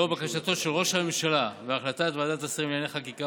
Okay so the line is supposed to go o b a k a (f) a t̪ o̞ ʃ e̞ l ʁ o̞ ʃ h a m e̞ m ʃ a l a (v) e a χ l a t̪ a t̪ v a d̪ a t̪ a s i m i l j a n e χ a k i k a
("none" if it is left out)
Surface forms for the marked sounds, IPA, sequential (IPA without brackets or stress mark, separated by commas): ʃ, v